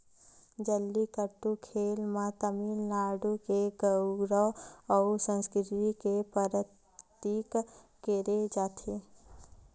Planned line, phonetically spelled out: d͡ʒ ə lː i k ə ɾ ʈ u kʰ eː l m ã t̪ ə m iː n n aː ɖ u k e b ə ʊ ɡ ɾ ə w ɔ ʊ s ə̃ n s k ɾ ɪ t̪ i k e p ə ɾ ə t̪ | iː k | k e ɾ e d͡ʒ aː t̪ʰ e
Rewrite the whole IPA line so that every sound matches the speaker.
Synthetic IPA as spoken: d͡ʒ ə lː i k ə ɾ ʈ u kʰ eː l m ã t̪ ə m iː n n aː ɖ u k e ɡ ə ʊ ɡ ɾ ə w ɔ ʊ s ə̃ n s k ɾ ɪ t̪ i k e p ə ɾ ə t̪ | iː k | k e ɾ e d͡ʒ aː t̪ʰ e